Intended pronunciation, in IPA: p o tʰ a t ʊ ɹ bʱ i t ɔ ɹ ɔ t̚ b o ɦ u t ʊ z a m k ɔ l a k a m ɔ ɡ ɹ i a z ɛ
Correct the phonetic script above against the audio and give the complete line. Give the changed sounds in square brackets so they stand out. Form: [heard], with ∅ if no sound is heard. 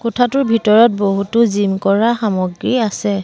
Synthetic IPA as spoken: [k] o tʰ a t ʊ ɹ bʱ i t ɔ ɹ ɔ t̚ b o ɦ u t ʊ z [i] m k ɔ [ɹ] a [x] a m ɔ ɡ ɹ i a [s] ɛ